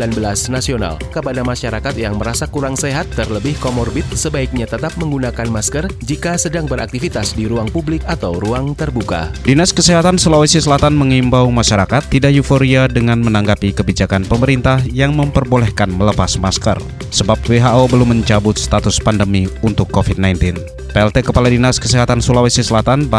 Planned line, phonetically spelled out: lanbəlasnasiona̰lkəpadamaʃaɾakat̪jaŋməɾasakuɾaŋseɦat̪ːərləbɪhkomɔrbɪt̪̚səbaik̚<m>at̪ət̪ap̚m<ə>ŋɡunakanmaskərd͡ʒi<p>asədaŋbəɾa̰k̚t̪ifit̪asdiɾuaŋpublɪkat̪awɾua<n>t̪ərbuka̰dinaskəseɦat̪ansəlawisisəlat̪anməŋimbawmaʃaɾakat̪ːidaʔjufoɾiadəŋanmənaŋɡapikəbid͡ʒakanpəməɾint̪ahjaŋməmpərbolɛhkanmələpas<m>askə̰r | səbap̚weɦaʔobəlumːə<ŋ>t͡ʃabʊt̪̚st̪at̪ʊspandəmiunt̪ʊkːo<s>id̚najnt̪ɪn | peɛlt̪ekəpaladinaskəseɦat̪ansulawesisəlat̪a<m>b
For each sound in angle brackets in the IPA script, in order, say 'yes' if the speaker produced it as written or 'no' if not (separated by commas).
no, yes, no, no, yes, no, no, no